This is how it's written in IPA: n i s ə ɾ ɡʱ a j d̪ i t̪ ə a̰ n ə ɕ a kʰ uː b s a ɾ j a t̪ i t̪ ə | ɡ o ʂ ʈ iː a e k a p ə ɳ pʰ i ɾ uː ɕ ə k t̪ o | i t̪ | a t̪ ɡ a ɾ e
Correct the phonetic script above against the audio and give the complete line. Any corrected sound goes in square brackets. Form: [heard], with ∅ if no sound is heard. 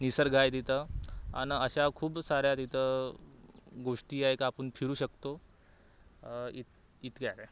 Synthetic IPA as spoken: n i s ə ɾ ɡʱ a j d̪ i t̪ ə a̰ n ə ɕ a kʰ uː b s a ɾ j a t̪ i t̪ ə | ɡ o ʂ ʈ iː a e k a p ə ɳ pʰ i ɾ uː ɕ ə k t̪ o | i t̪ | [i] t̪ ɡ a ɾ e